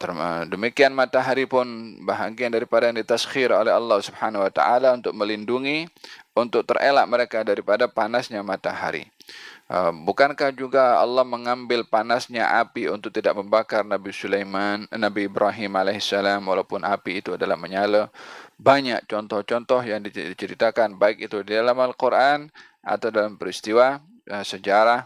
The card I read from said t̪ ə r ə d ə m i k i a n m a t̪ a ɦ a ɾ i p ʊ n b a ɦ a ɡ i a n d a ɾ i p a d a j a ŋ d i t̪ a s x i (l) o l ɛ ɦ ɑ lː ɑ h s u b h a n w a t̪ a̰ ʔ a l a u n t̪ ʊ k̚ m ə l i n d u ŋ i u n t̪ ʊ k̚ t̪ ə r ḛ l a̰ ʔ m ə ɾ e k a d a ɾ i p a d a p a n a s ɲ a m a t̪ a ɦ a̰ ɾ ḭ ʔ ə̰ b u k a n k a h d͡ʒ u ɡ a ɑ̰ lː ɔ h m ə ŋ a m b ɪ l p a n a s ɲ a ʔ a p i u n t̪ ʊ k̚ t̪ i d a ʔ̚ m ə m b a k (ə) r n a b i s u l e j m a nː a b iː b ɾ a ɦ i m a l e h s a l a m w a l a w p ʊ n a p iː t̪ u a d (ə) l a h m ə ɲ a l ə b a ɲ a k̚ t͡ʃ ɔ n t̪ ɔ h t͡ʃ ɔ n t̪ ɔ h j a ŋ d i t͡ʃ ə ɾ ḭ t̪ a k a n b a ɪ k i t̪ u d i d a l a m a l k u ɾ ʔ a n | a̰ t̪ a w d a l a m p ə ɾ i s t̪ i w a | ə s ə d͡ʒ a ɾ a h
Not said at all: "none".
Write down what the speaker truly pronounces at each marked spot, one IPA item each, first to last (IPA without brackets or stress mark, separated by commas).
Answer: ɾ, a, a